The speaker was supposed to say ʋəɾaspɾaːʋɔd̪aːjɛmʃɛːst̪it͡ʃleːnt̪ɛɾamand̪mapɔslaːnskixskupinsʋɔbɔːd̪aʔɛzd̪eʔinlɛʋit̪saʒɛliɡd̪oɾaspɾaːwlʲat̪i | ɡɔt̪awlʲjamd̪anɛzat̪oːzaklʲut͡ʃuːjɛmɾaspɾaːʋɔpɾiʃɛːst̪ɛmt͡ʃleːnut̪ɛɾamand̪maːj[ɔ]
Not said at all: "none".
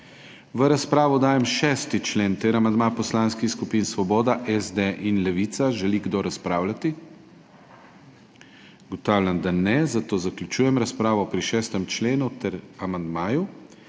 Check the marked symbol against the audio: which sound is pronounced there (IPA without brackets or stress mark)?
u